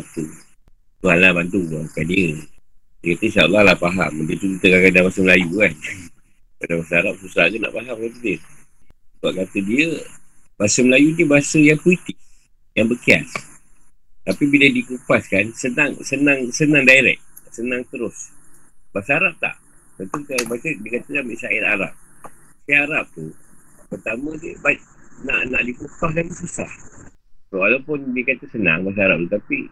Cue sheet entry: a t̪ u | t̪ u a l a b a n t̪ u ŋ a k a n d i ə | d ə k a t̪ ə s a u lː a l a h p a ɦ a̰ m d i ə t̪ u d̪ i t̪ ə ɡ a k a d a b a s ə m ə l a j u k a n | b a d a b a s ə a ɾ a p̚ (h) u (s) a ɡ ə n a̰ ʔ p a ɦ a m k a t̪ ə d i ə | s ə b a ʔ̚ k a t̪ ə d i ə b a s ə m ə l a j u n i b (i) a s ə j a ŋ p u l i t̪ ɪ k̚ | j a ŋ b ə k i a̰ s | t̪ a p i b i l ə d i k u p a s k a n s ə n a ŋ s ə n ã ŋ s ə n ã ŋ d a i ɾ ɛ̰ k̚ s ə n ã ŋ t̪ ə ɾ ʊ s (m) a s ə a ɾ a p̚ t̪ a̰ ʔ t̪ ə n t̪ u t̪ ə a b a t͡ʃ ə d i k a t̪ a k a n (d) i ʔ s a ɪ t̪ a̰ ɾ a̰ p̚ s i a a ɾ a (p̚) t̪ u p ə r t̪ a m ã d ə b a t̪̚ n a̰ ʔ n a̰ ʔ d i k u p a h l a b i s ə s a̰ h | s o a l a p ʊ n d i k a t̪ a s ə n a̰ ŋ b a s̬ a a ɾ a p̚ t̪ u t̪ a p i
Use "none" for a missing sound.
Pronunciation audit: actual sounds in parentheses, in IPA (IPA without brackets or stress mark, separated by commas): s, s, a, b, b, p̚